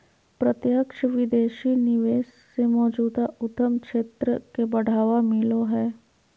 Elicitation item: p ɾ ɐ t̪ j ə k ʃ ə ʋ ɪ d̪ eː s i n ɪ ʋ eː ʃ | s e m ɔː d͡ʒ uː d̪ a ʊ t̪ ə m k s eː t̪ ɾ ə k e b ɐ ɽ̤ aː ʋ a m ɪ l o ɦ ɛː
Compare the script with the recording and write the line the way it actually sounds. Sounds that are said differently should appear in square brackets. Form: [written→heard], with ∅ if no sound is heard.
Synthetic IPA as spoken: p ɾ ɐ t̪ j ə k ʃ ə ʋ ɪ d̪ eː [s→ʃ] i n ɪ ʋ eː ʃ | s e m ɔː d͡ʒ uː d̪ a ʊ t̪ ə m k [s→ʃ] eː t̪ ɾ ə k e b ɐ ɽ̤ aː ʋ a m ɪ l o ɦ ɛː